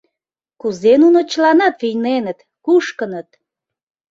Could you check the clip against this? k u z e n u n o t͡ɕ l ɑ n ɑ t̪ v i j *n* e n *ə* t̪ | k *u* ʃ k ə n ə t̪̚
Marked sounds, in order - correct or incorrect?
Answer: correct, correct, correct

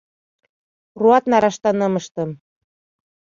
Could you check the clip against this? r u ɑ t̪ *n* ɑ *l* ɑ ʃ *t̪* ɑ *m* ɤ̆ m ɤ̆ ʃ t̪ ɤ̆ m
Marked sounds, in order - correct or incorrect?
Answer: correct, incorrect: ɾ, correct, incorrect: n

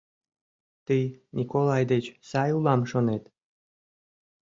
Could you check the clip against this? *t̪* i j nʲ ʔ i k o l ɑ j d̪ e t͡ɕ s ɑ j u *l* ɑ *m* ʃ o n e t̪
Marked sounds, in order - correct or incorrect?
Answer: correct, correct, correct

